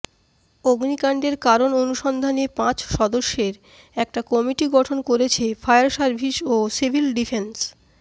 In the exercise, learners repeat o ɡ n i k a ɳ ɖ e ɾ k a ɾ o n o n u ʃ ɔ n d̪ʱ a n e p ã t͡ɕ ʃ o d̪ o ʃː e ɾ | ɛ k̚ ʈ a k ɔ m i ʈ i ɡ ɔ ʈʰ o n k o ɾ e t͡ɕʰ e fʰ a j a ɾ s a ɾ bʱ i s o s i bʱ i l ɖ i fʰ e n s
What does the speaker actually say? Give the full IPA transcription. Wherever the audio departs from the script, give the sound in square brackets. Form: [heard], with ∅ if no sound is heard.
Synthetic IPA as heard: o ɡ n i k a ɳ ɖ e ɾ k a ɾ o n o n u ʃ ɔ n d̪ʱ a n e p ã t͡ɕ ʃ [ɔ] d̪ o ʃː e ɾ | ɛ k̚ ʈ a k ɔ m i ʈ i ɡ ɔ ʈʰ o n k o ɾ e t͡ɕʰ e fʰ a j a ɾ s a ɾ bʱ i [ʃ] o s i bʱ i l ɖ i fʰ e n s